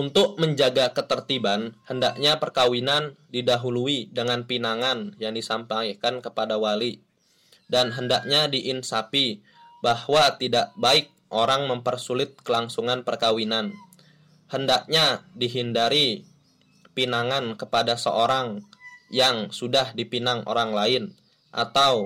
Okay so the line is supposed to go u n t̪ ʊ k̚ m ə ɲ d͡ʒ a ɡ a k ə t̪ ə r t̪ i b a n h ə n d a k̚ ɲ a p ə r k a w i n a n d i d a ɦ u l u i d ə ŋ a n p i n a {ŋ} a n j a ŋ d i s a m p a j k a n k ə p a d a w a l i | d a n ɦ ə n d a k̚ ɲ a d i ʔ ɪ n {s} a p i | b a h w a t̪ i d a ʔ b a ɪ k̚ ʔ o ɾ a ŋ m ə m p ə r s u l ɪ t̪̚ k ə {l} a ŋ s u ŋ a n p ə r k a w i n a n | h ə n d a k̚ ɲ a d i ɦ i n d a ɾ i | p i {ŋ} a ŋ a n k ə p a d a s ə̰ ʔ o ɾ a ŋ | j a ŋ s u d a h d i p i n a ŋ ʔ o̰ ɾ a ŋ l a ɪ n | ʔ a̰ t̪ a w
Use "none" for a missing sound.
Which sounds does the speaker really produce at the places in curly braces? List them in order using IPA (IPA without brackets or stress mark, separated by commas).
ŋ, s, l, n